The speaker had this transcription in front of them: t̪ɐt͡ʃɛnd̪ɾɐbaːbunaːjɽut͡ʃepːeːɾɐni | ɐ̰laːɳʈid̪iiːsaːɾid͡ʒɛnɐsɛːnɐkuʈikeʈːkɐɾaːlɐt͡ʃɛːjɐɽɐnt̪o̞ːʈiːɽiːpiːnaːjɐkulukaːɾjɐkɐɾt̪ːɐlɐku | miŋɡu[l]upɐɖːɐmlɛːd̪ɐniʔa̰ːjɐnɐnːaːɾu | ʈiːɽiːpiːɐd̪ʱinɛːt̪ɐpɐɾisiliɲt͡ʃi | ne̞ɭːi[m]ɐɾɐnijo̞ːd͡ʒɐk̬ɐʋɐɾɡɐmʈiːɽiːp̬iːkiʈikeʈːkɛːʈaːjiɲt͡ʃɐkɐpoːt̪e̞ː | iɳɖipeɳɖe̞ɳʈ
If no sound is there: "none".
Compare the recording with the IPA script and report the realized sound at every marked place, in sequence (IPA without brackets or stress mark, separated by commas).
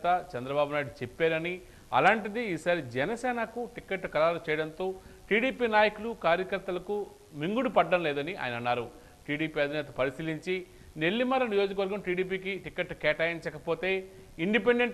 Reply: ɽ, m